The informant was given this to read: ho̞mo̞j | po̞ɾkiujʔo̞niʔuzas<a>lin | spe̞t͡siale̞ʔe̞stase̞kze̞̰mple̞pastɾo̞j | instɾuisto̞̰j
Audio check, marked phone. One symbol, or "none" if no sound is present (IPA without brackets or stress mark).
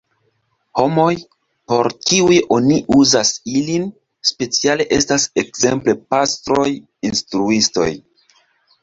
i